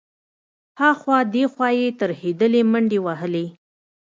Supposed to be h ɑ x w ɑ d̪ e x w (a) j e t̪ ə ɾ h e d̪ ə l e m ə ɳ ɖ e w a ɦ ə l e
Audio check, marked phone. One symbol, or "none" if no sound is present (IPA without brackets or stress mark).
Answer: ɑ